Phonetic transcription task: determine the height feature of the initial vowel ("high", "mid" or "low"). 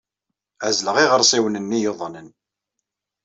low